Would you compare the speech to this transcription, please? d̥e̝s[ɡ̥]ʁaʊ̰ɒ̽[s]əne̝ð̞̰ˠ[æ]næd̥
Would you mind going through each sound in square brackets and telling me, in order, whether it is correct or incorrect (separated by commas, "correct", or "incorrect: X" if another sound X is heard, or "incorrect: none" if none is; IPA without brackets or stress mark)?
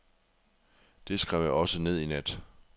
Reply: correct, correct, incorrect: i